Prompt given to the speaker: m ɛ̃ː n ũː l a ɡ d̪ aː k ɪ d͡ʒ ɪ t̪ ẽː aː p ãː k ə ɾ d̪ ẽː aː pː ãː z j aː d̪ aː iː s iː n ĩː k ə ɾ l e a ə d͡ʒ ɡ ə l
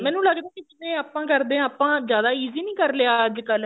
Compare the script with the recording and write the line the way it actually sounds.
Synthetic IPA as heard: m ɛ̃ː n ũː l ə ɡ d̪ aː k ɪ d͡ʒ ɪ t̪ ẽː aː p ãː k ə ɾ d̪ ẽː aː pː ãː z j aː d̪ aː iː z iː n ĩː k ə ɾ l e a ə d͡ʒ k ə l